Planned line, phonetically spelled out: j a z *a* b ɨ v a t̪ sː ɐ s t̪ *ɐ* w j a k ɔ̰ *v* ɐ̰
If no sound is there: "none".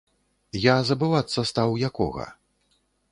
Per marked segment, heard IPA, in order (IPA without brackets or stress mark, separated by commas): ɐ, a, ɣ